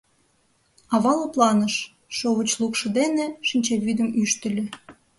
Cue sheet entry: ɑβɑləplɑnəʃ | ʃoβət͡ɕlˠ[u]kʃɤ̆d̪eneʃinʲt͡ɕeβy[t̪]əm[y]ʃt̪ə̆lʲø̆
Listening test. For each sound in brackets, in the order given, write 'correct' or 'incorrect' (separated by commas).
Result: correct, incorrect, correct